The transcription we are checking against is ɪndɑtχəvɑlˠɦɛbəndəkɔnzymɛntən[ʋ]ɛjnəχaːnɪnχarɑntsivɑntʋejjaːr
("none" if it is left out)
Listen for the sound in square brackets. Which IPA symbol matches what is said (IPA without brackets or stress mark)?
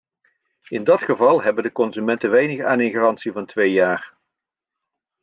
ʋ